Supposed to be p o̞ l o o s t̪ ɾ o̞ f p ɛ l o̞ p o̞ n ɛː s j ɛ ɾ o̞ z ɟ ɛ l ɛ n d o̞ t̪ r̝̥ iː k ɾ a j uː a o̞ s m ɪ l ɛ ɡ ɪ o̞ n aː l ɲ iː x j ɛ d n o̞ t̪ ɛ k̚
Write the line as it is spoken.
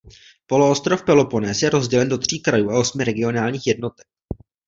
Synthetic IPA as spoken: p o̞ l o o s t̪ ɾ o̞ f p ɛ l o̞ p o̞ n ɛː s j ɛ ɾ o̞ z ɟ ɛ l ɛ n d o̞ t̪ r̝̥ iː k ɾ a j uː a o̞ s m ɪ ɾ ɛ ɡ ɪ o̞ n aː l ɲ iː x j ɛ d n o̞ t̪ ɛ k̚